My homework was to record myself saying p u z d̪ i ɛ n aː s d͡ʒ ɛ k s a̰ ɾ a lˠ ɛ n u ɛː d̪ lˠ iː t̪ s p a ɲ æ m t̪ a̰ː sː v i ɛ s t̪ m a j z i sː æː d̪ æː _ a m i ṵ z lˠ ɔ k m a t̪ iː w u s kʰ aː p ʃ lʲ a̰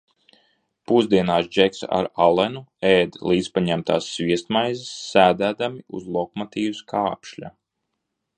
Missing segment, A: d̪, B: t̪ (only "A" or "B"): A